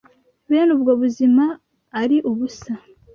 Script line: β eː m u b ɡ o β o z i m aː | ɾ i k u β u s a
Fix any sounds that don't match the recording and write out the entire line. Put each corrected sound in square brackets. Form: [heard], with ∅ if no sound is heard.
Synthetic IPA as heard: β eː [n] u b ɡ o β [u] z i m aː | ɾ i [ʔ] u β u s a